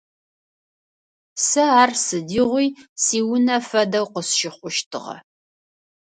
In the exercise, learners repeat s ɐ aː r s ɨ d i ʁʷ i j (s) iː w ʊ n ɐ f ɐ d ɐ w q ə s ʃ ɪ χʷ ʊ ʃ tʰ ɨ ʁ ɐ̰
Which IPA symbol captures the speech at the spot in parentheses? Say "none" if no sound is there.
s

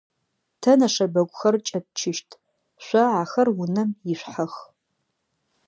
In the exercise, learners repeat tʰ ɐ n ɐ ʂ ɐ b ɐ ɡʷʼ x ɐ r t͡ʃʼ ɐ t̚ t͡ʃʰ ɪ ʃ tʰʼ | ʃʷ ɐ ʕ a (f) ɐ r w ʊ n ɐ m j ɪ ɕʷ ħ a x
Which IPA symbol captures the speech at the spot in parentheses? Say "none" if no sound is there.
x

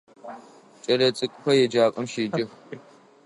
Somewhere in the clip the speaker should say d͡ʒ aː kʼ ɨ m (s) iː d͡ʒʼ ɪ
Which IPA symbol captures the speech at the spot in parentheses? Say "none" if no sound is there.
ʃ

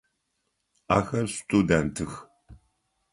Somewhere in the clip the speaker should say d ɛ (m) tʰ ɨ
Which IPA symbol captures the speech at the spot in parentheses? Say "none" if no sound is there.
n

